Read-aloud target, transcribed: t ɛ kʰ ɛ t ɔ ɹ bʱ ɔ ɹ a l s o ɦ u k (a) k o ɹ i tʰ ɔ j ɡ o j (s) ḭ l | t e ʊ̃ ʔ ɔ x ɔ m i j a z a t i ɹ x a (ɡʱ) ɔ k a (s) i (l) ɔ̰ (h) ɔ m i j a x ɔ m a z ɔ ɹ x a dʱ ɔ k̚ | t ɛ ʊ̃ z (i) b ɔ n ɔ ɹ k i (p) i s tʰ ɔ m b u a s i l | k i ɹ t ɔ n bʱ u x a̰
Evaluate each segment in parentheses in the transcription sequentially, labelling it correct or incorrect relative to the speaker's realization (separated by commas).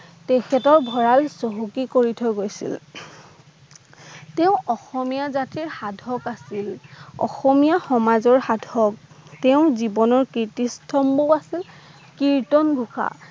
incorrect, correct, incorrect, correct, correct, incorrect, correct, incorrect